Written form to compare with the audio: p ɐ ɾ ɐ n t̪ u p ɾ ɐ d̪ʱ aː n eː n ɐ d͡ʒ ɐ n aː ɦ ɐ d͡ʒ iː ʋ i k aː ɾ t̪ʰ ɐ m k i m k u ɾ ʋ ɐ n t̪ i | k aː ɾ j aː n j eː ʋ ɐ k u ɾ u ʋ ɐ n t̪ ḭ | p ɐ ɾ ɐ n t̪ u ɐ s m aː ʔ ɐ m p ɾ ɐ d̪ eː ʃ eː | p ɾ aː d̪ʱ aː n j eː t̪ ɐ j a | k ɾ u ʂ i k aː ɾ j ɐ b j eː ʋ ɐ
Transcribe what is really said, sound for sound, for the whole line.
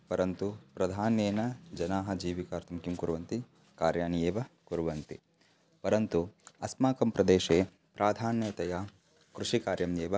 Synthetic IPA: p ɐ ɾ ɐ n t̪ u p ɾ ɐ d̪ʱ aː n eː n ɐ d͡ʒ ɐ n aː ɦ ɐ d͡ʒ iː ʋ i k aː ɾ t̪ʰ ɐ m k i m k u ɾ ʋ ɐ n t̪ i | k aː ɾ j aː n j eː ʋ ɐ k u ɾ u ʋ ɐ n t̪ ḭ | p ɐ ɾ ɐ n t̪ u ɐ s m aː k ɐ m p ɾ ɐ d̪ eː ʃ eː | p ɾ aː d̪ʱ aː n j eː t̪ ɐ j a | k ɾ u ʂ i k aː ɾ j ɐ m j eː ʋ ɐ